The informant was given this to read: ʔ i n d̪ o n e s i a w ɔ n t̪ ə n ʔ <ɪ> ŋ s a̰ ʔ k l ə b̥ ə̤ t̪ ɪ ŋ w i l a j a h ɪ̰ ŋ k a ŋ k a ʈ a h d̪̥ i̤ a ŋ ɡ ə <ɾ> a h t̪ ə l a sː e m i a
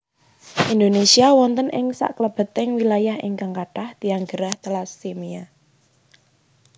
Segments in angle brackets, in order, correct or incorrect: correct, correct

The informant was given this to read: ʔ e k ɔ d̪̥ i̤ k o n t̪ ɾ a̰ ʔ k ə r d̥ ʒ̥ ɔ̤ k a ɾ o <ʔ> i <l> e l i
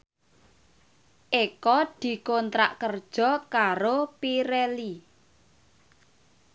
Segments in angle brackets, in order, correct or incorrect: incorrect, incorrect

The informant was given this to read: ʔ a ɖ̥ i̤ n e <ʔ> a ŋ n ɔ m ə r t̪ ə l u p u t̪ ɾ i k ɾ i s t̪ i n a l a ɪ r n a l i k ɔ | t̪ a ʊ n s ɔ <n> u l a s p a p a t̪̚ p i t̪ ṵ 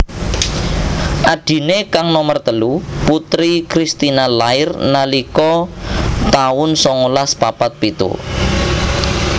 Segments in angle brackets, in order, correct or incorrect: incorrect, incorrect

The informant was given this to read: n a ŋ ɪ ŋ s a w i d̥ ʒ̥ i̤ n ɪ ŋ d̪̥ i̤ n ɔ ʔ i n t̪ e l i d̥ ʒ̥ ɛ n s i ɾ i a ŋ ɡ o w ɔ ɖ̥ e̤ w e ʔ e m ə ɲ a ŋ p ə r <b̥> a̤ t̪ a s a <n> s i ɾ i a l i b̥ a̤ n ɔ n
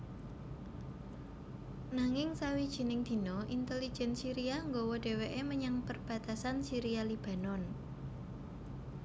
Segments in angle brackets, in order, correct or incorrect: correct, correct

